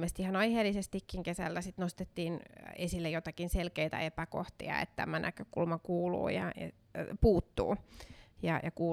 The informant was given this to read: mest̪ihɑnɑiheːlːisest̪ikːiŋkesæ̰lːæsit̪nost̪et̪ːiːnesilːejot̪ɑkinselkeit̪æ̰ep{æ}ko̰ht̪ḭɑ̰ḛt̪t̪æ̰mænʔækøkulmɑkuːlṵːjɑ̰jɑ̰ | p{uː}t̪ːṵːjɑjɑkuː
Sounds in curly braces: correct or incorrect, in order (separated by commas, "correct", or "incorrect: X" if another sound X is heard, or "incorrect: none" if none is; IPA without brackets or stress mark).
correct, correct